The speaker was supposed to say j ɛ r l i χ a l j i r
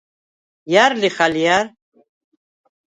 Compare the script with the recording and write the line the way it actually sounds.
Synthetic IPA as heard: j a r l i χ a l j a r